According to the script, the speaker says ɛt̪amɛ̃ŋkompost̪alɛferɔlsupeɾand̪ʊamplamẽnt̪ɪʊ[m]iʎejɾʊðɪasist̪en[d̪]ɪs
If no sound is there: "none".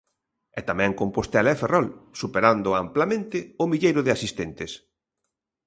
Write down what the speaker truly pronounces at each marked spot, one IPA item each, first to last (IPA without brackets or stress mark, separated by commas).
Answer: m, t̪